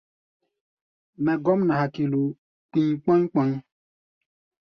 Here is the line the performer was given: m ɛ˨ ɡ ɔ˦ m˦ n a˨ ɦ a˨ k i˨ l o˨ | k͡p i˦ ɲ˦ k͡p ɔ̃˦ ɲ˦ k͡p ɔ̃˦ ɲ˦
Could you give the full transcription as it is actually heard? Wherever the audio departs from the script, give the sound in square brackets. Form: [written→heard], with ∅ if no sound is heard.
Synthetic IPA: m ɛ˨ ɡ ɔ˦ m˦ n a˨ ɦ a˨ k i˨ l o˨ | k͡p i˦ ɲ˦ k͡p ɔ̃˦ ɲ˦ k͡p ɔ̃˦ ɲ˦